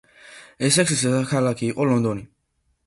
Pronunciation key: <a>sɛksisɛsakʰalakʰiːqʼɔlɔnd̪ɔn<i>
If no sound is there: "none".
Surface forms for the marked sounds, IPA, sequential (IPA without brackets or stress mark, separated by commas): ɛ, i